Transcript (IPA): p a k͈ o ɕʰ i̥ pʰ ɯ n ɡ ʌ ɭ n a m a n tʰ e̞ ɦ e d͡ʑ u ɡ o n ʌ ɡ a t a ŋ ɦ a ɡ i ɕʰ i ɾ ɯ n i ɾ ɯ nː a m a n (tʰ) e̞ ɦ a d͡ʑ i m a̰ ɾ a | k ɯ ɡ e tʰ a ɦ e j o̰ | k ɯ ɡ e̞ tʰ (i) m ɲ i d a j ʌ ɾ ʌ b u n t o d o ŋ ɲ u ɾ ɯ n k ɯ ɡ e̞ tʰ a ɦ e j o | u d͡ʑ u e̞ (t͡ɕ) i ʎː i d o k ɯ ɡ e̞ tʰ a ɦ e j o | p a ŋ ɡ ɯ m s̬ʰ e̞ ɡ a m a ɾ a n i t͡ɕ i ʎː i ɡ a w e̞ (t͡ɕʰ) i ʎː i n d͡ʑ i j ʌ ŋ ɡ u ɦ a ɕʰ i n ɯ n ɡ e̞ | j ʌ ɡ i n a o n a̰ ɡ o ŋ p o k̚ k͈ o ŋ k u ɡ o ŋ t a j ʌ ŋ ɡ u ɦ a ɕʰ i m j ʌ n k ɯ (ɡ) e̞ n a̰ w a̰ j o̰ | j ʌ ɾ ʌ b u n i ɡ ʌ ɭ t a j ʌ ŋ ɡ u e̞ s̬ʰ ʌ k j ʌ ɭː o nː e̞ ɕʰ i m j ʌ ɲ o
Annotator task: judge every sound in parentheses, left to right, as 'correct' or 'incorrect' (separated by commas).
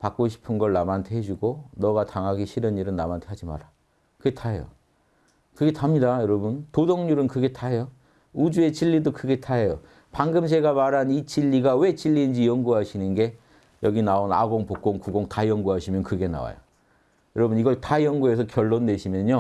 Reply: correct, incorrect, correct, incorrect, correct